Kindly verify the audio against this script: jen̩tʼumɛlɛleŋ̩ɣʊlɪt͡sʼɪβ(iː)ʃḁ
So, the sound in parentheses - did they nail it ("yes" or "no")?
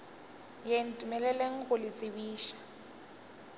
yes